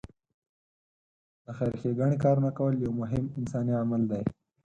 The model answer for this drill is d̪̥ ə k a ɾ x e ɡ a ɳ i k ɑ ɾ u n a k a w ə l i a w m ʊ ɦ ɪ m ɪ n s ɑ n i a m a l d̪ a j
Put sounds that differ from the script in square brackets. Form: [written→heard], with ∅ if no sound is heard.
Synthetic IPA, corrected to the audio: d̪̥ ə [k→x] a ɾ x e ɡ a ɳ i k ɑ ɾ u n a k a w ə l [i→j] a w m ʊ ɦ ɪ m ɪ n s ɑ n i a m a l d̪ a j